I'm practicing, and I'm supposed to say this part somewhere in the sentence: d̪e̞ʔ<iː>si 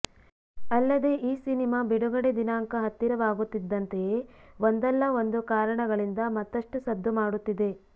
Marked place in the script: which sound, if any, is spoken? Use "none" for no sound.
iː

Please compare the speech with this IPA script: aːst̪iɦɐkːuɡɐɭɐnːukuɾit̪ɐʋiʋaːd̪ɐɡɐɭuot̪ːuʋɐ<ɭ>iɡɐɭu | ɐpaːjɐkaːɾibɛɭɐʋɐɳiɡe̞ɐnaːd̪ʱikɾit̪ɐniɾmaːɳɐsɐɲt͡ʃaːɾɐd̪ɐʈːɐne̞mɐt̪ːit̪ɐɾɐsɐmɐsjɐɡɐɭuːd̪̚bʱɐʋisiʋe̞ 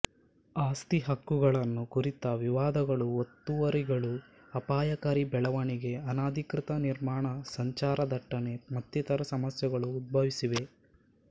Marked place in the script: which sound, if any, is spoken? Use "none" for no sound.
ɾ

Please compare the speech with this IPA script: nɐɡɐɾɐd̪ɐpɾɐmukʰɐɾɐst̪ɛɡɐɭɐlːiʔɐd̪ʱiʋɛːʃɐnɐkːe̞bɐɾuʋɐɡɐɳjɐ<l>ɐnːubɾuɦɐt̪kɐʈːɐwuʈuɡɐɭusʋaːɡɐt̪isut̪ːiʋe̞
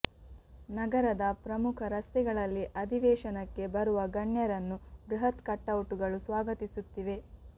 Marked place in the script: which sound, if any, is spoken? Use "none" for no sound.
ɾ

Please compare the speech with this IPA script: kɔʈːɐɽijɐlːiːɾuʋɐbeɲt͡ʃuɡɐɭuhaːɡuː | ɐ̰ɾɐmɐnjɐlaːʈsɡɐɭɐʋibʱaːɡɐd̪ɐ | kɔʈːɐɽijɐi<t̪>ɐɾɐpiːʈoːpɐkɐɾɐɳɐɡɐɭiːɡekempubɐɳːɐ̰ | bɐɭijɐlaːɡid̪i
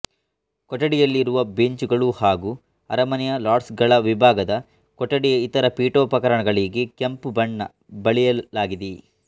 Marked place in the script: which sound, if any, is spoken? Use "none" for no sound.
t̪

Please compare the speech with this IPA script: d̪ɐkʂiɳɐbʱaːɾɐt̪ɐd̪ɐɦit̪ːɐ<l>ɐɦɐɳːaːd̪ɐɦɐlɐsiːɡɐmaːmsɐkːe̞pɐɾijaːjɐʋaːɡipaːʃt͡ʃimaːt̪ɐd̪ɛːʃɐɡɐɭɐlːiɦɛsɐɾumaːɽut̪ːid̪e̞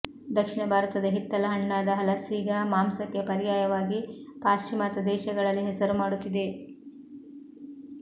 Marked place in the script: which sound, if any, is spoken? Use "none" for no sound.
l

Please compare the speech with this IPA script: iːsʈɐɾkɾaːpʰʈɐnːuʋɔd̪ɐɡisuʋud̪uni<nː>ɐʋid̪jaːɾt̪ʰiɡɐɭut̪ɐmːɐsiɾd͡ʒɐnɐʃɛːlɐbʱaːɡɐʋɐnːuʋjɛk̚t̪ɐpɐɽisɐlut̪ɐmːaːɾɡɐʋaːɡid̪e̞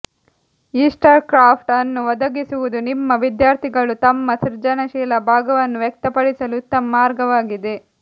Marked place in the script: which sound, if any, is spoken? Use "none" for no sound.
mː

